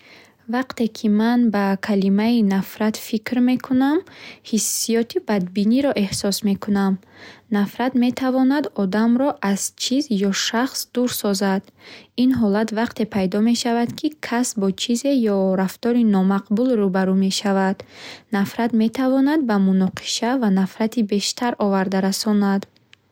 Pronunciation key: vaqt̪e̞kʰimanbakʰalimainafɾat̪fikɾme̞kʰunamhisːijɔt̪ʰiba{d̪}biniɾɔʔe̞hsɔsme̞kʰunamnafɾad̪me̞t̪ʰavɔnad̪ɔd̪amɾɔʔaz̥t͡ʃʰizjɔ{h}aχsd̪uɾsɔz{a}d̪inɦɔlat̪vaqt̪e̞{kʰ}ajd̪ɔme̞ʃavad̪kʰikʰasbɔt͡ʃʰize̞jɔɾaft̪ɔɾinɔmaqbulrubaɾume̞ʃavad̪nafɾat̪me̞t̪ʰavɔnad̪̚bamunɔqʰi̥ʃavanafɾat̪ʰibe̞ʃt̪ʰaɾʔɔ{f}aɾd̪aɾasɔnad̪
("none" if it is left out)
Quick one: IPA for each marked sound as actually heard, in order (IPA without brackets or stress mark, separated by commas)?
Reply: d̪, ʃ, a, pʰ, v